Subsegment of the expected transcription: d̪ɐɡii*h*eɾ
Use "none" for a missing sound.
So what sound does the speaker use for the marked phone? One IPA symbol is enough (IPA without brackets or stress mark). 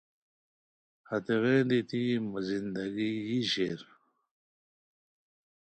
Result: ɕ